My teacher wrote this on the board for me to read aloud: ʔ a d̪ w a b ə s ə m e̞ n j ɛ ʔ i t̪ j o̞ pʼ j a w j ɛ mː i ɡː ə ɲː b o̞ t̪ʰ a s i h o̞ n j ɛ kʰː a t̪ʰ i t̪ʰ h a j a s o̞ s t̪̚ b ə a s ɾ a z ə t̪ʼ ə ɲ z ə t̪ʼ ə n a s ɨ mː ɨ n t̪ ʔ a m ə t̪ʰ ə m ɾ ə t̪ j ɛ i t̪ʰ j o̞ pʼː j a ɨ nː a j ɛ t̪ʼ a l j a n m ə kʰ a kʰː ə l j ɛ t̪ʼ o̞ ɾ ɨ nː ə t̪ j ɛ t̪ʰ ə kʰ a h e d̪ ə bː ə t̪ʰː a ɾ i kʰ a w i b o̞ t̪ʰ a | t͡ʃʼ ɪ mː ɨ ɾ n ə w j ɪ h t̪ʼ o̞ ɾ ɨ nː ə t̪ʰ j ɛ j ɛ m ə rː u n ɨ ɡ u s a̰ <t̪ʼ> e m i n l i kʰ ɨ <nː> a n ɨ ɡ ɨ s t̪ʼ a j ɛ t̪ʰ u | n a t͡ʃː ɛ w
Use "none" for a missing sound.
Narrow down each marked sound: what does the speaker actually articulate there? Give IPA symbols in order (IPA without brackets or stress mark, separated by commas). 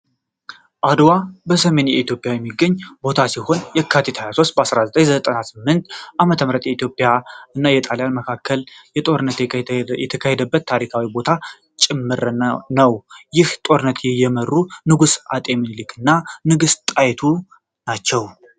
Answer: t̪ʼ, nː